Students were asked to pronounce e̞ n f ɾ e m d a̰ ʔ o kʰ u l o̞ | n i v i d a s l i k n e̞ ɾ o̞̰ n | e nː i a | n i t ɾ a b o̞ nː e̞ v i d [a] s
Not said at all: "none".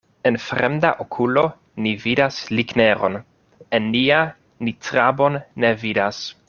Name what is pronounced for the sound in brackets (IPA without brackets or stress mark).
a